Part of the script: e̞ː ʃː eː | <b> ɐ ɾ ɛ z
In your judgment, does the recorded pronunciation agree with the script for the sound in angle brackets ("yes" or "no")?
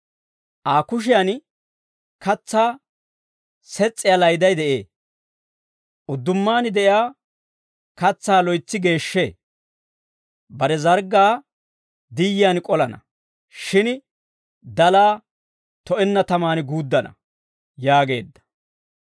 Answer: yes